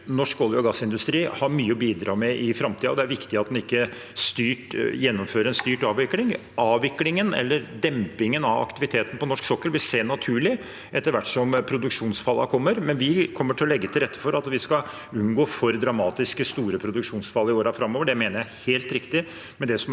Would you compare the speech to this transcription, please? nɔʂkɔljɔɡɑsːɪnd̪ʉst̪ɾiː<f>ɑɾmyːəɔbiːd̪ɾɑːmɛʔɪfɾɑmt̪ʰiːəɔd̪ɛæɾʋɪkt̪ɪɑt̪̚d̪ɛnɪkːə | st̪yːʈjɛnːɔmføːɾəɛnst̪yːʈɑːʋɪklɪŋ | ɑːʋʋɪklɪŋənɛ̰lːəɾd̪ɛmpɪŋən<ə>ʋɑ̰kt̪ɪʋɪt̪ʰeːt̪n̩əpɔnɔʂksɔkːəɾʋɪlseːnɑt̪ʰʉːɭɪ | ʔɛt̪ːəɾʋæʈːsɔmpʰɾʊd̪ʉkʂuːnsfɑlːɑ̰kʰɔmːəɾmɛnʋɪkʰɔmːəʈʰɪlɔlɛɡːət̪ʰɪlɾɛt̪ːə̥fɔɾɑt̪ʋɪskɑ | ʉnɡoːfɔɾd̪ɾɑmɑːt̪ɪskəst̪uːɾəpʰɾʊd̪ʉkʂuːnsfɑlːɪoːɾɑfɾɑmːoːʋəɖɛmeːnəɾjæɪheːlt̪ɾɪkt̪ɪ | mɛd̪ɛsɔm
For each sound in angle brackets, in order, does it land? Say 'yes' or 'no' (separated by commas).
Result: no, no